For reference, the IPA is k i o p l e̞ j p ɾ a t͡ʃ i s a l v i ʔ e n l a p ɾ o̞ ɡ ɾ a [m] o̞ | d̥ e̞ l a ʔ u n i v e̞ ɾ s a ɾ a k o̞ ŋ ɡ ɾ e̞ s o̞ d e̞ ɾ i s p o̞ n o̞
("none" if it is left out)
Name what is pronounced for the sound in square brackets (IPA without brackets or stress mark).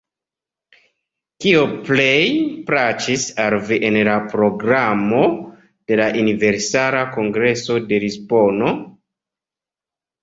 m